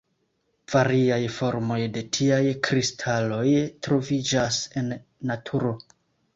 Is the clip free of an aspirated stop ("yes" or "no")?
no